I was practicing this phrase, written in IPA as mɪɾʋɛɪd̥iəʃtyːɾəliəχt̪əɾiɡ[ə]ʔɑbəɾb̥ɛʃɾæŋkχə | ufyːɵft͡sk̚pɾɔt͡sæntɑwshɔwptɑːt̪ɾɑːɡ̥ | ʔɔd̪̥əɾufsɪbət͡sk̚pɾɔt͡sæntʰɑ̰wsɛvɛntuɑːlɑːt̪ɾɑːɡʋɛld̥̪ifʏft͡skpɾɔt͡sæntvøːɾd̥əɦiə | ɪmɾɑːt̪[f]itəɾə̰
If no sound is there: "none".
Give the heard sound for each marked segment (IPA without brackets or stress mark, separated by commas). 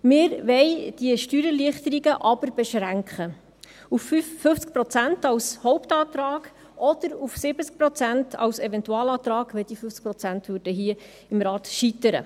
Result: ə, ʃ